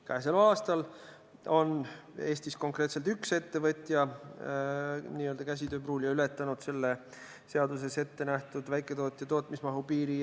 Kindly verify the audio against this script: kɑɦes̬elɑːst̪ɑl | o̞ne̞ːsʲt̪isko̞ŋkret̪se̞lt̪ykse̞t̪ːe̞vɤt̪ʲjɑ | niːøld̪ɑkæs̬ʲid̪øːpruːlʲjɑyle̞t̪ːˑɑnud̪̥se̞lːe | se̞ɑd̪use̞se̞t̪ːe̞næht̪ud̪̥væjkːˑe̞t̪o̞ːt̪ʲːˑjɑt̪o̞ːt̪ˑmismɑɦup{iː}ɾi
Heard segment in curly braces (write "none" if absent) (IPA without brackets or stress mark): iː